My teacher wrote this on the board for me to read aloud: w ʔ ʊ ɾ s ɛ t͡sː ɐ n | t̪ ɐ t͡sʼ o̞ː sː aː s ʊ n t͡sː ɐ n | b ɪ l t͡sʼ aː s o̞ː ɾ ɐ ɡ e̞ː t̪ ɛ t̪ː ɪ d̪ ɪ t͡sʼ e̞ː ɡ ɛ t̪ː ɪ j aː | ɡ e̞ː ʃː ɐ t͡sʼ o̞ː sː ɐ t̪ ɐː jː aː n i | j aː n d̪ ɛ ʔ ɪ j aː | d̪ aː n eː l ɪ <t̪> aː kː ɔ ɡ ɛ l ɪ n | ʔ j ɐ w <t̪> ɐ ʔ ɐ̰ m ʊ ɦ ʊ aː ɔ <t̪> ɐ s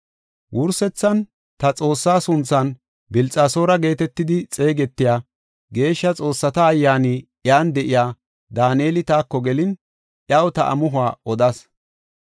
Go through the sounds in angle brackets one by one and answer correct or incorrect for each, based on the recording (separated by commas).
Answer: correct, correct, incorrect